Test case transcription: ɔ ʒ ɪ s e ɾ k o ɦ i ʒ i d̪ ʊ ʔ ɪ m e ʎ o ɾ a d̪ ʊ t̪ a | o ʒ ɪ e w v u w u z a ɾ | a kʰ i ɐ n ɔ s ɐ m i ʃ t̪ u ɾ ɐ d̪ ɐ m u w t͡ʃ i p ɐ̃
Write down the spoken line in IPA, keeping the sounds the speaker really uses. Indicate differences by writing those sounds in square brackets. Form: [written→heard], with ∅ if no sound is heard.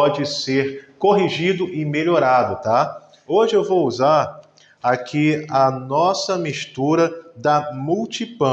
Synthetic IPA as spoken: ɔ [ʒ→d͡ʒ] ɪ s e ɾ k o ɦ i ʒ i d̪ ʊ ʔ ɪ m e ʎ o ɾ a d̪ ʊ t̪ a | o ʒ ɪ e w v [u→o] w u z a ɾ | a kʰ i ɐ n ɔ s ɐ m i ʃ t̪ u ɾ ɐ d̪ ɐ m u w t͡ʃ i p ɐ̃